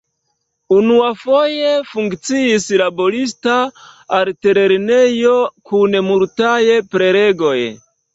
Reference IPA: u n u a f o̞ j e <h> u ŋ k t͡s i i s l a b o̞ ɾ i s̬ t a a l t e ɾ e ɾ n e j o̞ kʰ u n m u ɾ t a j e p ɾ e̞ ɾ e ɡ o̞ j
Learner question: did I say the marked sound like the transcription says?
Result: no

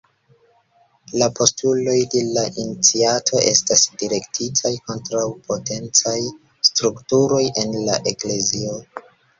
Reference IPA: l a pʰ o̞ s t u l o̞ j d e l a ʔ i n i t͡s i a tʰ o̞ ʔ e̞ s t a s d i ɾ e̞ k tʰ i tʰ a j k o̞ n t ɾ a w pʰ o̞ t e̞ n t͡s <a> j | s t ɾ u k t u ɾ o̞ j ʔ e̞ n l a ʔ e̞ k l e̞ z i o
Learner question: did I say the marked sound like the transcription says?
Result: yes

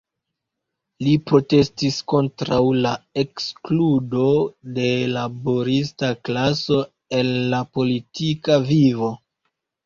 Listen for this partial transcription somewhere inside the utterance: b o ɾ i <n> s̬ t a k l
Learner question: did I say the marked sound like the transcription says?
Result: no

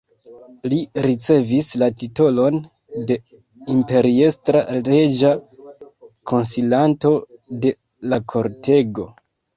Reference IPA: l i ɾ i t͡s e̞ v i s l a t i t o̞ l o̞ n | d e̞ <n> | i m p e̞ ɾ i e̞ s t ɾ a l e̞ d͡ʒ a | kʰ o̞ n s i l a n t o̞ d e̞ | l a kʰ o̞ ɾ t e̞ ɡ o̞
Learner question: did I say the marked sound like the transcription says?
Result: no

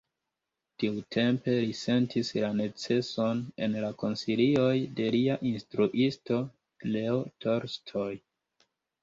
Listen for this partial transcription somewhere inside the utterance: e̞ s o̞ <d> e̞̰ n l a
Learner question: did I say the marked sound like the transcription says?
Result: no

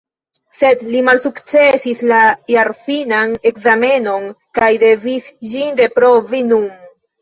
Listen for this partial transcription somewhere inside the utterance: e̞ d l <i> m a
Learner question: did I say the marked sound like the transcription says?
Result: yes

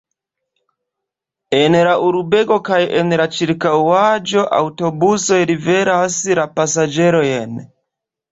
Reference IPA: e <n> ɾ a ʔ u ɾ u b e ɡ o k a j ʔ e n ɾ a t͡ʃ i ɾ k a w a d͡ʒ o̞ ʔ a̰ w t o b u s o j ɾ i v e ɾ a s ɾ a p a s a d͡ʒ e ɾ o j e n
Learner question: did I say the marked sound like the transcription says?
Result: yes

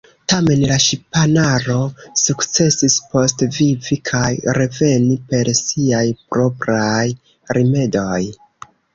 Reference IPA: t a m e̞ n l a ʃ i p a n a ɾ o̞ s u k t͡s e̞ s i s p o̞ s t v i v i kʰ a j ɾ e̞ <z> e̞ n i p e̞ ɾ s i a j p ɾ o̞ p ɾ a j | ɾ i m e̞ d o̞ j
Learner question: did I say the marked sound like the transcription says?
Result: no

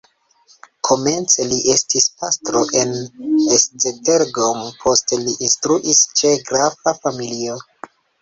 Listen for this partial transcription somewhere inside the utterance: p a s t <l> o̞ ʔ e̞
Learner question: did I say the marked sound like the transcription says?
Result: no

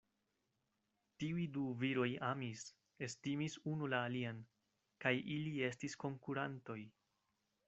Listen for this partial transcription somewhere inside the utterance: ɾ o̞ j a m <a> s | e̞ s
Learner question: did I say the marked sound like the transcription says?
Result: no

